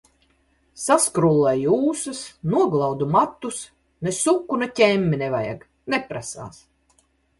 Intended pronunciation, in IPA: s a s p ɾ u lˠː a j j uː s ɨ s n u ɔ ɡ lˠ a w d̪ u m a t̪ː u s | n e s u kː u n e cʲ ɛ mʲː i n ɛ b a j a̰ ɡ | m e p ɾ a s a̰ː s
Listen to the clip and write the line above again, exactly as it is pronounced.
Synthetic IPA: s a s k ɾ u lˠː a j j uː s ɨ s n u ɔ ɡ lˠ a w d̪ u m a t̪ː u s | n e s u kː u n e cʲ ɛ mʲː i n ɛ v a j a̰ ɡ | n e p ɾ a s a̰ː s